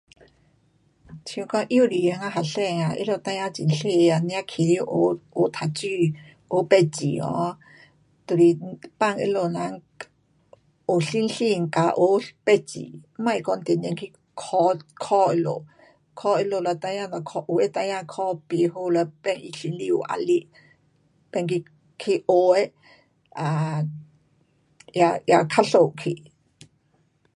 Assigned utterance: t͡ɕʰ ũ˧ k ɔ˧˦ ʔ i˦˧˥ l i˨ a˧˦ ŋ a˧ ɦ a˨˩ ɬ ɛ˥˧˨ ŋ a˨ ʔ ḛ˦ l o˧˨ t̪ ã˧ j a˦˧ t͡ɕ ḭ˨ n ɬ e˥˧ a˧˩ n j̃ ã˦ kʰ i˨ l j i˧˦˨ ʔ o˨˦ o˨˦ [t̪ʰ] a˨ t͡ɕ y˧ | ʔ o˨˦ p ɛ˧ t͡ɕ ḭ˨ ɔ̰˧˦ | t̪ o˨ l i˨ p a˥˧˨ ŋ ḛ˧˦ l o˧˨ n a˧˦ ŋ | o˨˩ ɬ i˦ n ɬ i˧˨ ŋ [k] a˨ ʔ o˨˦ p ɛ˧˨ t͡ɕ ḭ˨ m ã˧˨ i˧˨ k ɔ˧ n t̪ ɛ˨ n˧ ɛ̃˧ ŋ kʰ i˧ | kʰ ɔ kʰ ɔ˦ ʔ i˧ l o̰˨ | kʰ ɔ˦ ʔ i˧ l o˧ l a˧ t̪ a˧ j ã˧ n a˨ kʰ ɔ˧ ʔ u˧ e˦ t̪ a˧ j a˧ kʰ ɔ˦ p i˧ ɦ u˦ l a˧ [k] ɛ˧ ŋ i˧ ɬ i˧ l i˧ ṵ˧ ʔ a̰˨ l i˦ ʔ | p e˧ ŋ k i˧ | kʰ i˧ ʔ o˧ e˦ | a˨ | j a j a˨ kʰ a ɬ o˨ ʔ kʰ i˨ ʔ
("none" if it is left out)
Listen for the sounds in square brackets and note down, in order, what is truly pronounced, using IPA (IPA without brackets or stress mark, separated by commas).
t̪ʰ, k, p